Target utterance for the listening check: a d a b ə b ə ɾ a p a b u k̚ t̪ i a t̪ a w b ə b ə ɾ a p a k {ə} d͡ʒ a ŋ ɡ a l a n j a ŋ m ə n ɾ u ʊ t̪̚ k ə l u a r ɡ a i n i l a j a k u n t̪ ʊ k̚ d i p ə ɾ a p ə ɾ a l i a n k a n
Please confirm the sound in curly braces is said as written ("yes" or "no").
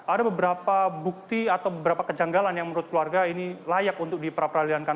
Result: yes